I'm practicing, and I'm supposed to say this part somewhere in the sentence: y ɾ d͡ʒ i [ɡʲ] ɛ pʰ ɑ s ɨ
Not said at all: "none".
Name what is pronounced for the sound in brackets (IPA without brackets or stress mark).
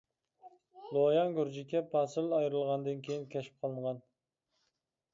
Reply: kʲ